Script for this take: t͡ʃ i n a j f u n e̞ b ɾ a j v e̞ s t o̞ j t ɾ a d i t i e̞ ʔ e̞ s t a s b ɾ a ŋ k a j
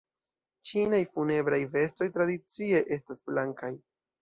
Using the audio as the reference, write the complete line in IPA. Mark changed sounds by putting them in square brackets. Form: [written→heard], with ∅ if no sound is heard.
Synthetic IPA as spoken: t͡ʃ i n a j f u n e̞ b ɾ a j v e̞ s t o̞ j t ɾ a d i [t→t͡s] i e̞ ʔ e̞ s t a s b [ɾ→l] a ŋ k a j